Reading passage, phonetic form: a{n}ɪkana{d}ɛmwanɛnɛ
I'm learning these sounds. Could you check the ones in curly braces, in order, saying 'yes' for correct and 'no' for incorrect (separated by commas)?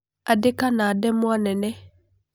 no, yes